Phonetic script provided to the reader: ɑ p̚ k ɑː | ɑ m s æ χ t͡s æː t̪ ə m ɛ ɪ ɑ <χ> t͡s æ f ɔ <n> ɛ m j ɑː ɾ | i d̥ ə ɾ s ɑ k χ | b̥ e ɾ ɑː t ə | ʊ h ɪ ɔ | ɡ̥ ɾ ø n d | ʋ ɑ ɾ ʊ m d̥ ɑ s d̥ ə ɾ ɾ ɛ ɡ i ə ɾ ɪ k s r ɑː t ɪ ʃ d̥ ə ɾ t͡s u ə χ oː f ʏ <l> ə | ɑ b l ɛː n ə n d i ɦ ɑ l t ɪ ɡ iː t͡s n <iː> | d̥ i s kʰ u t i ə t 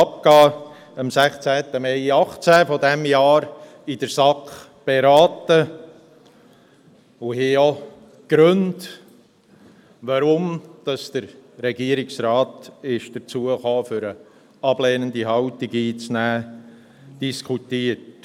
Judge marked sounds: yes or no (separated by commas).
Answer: yes, no, no, no